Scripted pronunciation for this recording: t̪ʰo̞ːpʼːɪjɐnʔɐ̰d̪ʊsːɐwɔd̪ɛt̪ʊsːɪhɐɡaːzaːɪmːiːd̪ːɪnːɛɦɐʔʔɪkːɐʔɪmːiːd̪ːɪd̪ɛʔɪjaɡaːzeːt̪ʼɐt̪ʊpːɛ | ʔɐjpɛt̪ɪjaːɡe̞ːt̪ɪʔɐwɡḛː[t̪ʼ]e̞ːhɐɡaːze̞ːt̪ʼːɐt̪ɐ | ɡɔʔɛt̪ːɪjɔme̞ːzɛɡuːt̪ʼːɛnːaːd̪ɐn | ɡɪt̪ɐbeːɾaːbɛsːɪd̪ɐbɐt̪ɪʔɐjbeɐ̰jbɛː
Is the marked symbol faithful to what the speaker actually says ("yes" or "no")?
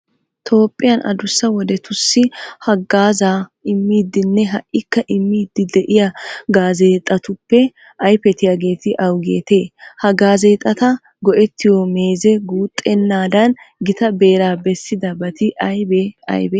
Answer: no